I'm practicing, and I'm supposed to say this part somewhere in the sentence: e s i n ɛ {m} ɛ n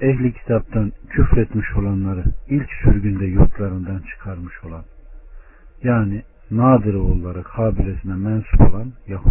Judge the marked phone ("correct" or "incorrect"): correct